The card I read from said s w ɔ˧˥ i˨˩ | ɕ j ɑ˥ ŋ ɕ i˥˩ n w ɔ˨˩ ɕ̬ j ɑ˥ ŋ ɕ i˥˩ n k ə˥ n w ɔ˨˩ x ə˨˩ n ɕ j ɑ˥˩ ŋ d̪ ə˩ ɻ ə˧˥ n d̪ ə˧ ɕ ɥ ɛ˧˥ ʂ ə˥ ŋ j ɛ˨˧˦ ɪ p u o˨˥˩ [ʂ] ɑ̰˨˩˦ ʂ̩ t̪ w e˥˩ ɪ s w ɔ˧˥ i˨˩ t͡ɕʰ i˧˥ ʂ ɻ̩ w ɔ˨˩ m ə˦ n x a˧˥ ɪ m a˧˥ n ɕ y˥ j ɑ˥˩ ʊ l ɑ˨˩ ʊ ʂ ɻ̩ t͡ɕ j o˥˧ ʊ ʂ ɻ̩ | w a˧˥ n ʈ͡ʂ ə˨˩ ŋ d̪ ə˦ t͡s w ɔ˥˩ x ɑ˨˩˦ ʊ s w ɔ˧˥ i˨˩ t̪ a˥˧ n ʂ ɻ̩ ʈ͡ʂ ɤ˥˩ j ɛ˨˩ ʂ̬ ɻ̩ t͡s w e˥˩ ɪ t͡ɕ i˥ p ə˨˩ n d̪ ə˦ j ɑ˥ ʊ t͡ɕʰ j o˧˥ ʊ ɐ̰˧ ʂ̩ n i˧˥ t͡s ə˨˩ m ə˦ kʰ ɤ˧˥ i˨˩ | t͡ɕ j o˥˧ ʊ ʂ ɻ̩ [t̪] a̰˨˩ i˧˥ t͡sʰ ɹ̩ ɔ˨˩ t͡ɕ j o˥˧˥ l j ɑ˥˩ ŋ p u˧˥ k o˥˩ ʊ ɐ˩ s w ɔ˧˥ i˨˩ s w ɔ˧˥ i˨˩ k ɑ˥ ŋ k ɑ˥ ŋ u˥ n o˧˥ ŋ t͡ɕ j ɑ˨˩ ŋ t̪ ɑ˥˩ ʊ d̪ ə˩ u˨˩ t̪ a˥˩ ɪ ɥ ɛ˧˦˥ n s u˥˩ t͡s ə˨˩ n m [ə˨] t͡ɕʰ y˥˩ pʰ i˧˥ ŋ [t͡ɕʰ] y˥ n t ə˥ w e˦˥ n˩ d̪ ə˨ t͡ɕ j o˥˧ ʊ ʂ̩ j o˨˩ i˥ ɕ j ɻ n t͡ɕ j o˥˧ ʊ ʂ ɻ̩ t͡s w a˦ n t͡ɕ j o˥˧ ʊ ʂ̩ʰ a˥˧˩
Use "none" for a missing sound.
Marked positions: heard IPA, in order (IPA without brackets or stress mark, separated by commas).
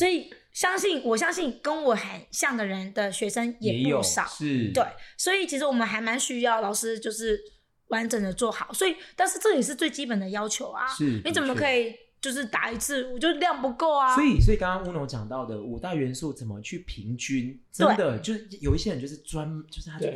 ʂ, t̪, ə˦, t͡ɕ